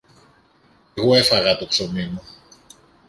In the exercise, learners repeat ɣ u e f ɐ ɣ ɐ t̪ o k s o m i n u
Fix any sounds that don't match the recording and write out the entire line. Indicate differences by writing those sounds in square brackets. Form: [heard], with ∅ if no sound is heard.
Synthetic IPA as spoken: ɣ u e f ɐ ɣ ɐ t̪ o k s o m i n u

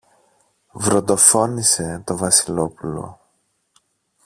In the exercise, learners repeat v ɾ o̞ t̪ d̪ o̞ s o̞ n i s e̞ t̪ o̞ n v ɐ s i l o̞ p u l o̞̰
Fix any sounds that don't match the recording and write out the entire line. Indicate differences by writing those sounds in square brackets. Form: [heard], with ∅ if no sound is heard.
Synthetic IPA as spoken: v ɾ o̞ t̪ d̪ o̞ [f] o̞ n i s e̞ t̪ o̞ [∅] v ɐ s i l o̞ p u l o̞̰

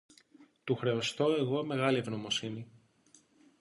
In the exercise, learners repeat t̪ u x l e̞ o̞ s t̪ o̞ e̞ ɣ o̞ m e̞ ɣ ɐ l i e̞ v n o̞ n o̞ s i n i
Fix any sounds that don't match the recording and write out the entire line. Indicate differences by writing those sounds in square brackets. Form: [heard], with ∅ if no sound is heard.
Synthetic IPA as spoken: t̪ u x [ɾ] e̞ o̞ s t̪ o̞ e̞ ɣ o̞ m e̞ ɣ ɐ l i e̞ v n o̞ [m] o̞ s i n i

